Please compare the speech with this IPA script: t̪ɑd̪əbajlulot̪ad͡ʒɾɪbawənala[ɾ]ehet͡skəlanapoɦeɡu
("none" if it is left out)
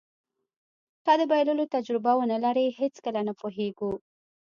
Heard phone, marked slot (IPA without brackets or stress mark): ɾ